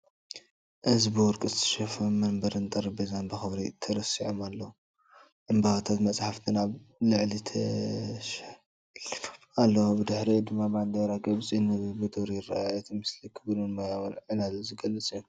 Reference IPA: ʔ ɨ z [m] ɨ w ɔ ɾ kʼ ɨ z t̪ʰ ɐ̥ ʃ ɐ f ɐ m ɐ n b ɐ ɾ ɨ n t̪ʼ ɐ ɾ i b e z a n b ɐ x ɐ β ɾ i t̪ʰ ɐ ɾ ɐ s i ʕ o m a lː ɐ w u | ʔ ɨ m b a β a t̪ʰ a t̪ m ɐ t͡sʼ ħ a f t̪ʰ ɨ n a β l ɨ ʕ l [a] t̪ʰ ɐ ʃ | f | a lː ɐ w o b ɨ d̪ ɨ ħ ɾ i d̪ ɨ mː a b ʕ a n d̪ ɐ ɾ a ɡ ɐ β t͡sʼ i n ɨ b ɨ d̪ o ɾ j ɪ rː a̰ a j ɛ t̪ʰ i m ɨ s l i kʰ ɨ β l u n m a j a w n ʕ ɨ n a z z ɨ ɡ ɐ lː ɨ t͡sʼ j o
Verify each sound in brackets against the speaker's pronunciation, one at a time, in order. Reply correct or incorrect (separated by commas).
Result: incorrect, incorrect